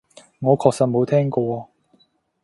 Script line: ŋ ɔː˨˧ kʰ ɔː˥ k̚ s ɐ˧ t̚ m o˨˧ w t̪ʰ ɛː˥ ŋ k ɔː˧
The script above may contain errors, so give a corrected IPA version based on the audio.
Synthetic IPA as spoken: ŋ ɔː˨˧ kʰ ɔː˧ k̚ s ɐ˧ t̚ m o˨˧ w t̪ʰ ɛː˥ ŋ k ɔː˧